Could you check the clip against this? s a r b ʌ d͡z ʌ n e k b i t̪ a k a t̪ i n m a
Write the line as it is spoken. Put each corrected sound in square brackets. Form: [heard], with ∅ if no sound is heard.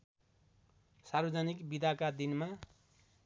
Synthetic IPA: s a r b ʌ d͡z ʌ n [i] k b i [d̪] a k a [d̪] i n m a